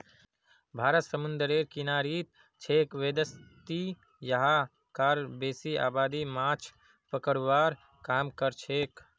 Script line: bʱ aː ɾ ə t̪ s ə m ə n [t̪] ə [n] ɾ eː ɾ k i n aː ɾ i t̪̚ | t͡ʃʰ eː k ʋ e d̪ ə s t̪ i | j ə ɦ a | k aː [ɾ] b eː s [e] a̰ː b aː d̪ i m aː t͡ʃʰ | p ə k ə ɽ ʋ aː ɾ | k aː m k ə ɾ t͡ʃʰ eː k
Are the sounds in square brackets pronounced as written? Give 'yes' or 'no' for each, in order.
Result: no, no, yes, no

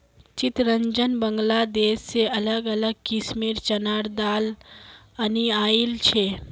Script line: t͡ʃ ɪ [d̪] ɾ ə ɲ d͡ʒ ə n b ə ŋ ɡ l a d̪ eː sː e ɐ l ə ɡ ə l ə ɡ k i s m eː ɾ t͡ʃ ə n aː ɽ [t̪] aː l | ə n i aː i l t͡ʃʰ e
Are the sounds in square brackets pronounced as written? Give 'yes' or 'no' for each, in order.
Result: no, no

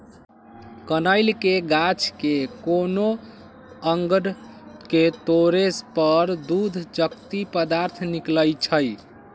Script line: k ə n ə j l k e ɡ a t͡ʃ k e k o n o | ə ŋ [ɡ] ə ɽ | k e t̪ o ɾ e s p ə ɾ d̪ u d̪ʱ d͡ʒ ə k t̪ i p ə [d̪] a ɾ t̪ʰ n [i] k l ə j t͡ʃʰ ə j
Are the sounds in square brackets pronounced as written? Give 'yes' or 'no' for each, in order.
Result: yes, yes, yes

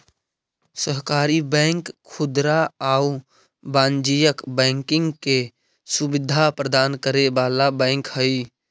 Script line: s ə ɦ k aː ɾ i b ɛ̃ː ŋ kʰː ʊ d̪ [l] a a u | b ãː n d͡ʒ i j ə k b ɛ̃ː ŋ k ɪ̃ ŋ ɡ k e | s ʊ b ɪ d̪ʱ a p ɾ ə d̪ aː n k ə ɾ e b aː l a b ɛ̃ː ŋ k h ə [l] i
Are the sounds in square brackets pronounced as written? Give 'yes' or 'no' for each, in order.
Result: no, no

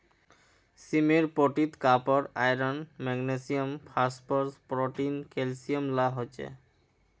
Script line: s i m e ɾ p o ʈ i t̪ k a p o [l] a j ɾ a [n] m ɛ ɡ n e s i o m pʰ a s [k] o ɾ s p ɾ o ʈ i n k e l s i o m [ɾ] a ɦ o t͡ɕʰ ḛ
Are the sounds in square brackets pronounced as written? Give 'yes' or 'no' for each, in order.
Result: no, yes, no, no

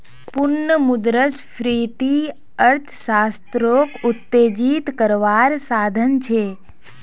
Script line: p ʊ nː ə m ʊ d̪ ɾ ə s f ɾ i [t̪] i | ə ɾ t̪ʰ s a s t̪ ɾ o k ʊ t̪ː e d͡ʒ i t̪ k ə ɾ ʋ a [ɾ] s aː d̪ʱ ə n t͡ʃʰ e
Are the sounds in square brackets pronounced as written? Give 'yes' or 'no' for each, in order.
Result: yes, yes

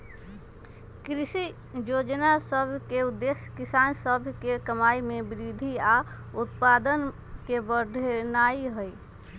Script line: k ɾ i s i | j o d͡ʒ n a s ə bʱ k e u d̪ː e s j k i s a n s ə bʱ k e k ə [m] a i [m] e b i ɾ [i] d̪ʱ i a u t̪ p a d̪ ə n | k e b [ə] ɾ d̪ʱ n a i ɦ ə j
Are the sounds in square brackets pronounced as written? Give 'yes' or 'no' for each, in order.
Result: yes, yes, yes, yes

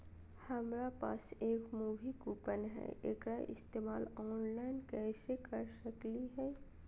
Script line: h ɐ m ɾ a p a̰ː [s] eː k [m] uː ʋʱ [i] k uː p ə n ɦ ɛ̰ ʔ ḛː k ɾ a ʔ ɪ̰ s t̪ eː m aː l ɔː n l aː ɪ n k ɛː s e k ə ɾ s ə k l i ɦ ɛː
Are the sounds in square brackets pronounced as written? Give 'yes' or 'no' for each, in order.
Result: yes, yes, yes

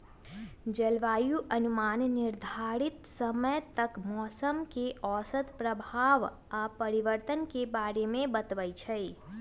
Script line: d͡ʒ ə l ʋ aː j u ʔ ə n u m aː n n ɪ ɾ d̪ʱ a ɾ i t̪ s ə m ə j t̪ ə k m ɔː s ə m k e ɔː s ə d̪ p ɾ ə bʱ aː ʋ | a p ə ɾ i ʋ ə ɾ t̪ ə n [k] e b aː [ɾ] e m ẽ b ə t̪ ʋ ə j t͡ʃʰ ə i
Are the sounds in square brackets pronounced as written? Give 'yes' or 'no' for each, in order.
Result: yes, yes

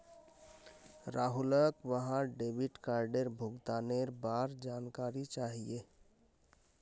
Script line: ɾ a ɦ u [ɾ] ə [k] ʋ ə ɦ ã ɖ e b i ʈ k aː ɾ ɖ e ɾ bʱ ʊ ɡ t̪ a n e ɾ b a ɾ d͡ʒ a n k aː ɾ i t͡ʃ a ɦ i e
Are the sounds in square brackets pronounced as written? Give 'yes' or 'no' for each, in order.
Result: no, yes

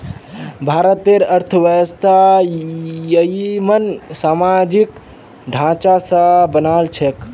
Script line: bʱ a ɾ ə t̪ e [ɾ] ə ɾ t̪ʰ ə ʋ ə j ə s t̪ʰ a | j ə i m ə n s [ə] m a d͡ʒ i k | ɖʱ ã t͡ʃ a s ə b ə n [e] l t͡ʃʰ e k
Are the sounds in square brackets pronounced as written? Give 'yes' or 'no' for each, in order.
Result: yes, no, no

